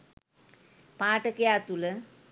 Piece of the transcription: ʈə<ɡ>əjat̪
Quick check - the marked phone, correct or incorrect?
incorrect